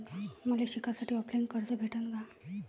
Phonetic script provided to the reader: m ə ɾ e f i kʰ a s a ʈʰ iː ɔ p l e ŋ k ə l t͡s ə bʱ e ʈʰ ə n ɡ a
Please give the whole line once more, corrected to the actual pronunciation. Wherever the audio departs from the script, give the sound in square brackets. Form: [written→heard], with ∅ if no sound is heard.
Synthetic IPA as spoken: m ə [ɾ→l] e [f→ɕ] i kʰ a s a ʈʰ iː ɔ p l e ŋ k ə [l→ɾ] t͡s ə bʱ e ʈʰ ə n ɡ a